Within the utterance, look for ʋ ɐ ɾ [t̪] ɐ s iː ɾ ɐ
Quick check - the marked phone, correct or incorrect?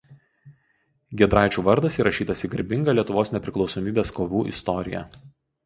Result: incorrect